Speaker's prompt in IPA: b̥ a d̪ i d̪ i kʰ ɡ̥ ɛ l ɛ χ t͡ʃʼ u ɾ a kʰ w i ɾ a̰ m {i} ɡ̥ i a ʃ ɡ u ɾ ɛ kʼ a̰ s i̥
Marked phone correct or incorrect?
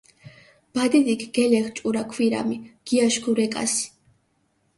correct